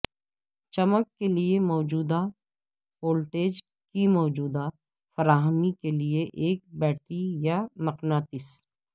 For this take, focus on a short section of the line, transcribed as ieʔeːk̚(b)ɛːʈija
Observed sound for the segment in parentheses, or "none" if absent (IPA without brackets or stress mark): b